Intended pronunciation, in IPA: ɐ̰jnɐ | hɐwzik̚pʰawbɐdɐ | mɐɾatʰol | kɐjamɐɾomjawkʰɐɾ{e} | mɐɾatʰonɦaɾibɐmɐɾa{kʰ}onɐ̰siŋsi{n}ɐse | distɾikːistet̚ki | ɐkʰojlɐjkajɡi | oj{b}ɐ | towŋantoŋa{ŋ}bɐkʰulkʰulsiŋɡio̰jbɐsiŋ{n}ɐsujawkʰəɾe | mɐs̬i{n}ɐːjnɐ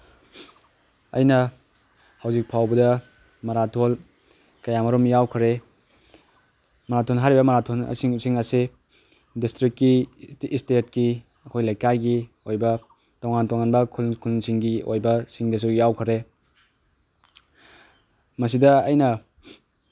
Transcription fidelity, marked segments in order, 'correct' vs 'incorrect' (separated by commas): correct, incorrect, incorrect, correct, incorrect, incorrect, incorrect